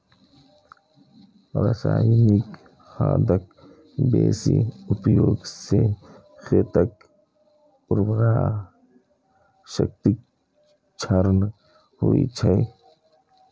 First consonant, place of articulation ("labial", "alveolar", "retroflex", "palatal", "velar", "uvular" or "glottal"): alveolar